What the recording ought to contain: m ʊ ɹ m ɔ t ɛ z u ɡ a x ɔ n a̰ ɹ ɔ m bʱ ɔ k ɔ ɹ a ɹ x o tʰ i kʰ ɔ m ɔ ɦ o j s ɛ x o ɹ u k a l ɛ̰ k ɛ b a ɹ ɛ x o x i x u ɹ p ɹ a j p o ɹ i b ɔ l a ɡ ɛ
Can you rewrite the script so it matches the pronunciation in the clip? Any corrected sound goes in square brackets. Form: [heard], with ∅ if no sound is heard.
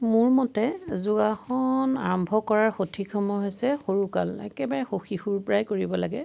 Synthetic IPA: m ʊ ɹ m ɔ t ɛ z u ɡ a x ɔ n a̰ ɹ ɔ m bʱ ɔ k ɔ ɹ a ɹ x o tʰ i kʰ ɔ m ɔ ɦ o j s ɛ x o ɹ u k a l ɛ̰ k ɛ b a ɹ ɛ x o x i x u ɹ p ɹ a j [k] o ɹ i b ɔ l a ɡ ɛ